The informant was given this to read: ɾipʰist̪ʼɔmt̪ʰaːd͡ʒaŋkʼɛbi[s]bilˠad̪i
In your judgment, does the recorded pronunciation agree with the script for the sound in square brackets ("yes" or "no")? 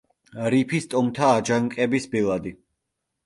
yes